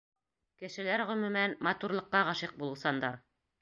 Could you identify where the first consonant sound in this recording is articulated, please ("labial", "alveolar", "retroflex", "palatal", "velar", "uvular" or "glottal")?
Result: velar